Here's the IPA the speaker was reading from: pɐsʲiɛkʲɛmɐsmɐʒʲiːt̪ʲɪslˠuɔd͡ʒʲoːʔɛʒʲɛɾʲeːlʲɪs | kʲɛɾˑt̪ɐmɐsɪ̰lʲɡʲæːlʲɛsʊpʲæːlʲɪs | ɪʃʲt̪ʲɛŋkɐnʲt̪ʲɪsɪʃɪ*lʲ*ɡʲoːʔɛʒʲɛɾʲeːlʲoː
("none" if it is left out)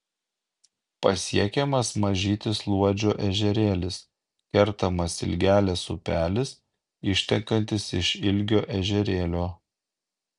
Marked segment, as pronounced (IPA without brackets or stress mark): lʲ